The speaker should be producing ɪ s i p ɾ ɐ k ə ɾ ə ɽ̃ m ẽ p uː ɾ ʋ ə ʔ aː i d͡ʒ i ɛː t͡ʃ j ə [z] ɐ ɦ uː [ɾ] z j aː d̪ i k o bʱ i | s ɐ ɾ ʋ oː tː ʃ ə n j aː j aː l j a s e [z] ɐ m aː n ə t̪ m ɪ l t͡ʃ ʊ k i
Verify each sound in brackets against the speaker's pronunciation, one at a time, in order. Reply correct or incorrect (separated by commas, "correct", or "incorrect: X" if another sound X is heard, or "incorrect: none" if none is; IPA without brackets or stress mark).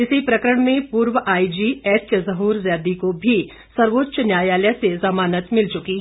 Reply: correct, correct, correct